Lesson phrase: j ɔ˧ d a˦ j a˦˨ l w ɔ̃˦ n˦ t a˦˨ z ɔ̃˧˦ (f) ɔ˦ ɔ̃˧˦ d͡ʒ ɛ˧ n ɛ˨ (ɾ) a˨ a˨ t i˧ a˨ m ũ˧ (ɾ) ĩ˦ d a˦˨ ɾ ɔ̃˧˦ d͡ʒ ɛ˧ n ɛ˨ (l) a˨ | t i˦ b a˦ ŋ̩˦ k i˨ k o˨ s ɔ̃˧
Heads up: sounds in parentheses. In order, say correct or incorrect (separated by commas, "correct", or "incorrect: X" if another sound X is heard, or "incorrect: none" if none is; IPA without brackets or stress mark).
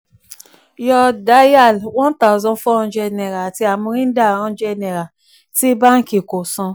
correct, correct, correct, incorrect: ɾ